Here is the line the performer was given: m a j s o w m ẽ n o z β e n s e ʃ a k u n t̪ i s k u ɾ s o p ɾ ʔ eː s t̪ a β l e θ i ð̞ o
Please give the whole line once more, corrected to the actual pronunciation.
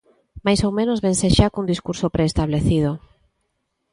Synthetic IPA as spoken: m a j s o w m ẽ n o z β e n s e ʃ a k u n d̪ i s k u ɾ s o p ɾ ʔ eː s t̪ a β l e θ i ð̞ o